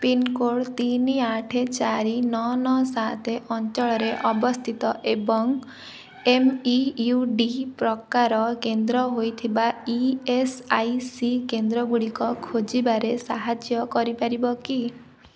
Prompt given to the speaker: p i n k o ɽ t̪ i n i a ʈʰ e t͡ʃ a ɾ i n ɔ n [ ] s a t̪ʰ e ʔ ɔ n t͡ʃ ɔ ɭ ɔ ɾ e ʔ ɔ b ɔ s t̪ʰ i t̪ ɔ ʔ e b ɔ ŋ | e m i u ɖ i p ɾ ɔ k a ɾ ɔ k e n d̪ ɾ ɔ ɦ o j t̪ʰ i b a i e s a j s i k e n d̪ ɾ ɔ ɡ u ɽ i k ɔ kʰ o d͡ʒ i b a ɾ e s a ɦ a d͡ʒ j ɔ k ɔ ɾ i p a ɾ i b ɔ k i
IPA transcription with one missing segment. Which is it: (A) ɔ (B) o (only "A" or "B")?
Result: A